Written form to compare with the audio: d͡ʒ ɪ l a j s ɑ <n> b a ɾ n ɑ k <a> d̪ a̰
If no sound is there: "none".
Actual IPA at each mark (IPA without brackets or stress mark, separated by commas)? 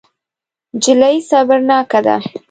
none, a